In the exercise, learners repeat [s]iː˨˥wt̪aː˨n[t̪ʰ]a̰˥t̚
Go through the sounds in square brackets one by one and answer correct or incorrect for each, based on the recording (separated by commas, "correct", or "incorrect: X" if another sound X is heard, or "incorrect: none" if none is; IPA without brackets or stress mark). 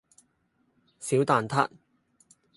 correct, correct